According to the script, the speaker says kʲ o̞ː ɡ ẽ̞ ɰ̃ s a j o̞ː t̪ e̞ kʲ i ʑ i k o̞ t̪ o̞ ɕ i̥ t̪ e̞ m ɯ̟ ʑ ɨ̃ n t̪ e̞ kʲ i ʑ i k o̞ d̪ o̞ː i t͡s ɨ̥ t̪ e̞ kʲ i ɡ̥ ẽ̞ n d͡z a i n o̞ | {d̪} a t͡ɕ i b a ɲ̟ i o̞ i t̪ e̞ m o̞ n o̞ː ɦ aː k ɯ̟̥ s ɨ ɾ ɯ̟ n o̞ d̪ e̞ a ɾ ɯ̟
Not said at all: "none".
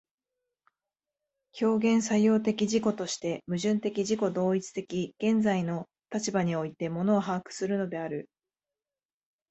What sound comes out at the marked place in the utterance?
t̪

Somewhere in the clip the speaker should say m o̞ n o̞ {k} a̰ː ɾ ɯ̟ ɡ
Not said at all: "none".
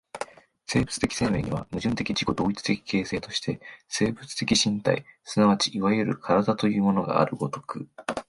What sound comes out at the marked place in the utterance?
ɡ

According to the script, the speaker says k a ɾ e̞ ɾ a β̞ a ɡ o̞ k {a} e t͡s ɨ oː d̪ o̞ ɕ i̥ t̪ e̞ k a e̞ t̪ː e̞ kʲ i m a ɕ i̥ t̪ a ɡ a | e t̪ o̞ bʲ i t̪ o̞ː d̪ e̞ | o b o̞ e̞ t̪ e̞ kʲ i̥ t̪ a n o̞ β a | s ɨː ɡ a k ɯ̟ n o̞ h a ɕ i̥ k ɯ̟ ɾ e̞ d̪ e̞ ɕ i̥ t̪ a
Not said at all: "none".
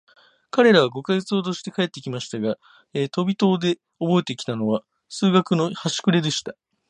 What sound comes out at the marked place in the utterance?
a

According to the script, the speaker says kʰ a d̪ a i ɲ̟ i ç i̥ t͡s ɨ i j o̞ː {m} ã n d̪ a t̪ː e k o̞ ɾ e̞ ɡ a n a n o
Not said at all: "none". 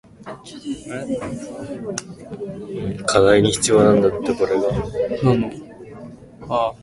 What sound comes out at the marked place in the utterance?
n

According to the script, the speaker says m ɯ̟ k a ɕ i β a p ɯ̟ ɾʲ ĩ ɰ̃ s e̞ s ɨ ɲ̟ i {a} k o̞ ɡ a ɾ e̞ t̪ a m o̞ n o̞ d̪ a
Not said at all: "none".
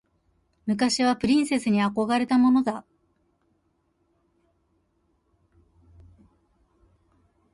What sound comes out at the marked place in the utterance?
a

